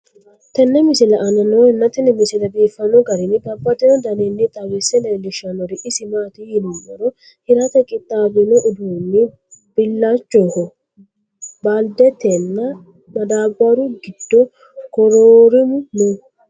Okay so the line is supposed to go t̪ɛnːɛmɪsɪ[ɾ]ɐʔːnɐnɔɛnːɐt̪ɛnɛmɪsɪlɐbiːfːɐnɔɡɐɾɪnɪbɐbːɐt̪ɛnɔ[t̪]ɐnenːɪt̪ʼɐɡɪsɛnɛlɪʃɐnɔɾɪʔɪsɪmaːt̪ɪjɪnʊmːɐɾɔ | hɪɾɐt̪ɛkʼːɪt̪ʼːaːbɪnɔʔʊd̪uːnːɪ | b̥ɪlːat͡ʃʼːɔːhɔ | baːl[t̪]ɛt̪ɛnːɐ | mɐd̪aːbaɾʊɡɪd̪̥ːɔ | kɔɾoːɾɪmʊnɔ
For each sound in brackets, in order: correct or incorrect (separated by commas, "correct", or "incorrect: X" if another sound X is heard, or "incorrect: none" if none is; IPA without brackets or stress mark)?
incorrect: l, incorrect: d̪, incorrect: d̪